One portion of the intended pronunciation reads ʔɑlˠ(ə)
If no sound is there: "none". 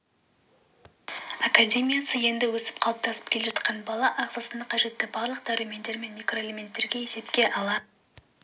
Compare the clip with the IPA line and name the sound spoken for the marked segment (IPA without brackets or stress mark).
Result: ɑ